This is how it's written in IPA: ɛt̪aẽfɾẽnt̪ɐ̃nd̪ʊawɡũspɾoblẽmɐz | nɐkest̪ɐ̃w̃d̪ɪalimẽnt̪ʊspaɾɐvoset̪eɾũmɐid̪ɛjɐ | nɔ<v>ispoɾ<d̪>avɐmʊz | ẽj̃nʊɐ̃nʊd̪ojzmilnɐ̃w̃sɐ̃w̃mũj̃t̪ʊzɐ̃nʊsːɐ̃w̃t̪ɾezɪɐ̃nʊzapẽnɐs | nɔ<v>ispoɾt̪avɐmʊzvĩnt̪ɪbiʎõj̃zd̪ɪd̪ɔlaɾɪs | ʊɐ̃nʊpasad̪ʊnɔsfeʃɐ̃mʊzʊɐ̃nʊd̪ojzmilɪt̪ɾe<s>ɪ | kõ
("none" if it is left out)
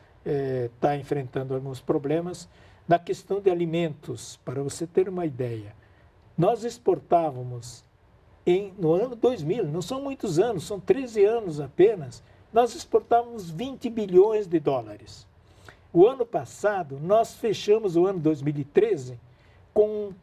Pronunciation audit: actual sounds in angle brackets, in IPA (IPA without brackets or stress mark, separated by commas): z, t̪, z, z